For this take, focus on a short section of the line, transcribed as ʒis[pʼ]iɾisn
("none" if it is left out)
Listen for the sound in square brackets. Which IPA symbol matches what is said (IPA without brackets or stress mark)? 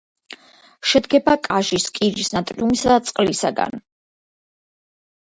kʼ